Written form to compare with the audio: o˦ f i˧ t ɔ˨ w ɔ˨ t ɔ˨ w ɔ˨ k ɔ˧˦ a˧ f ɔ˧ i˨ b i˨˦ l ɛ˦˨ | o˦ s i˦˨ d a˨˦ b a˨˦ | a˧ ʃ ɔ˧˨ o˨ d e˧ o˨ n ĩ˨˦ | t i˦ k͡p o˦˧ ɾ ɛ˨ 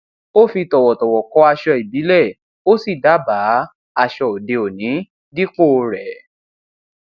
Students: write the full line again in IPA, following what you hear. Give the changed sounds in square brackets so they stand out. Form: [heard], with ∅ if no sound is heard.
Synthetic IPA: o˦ f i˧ t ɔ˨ w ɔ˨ t ɔ˨ w ɔ˨ k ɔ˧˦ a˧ [ʃ] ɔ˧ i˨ b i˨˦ l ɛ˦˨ | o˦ s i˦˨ d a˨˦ b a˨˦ | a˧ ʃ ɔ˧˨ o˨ d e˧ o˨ n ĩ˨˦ | [d] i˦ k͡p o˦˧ ɾ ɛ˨